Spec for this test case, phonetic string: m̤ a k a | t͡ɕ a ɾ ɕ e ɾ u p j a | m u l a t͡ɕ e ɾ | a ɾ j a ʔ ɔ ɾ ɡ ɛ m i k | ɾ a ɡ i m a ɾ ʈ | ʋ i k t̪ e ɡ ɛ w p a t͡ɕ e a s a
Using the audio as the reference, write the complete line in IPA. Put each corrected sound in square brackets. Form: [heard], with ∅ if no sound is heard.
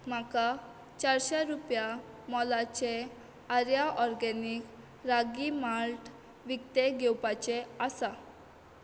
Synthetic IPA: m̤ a k a | t͡ɕ a ɾ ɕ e ɾ u p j a | m [ɔ] l a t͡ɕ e [∅] | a ɾ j a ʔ ɔ ɾ ɡ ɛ [n] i k | ɾ a ɡ i m a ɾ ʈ | ʋ i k t̪ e ɡ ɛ w p a t͡ɕ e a s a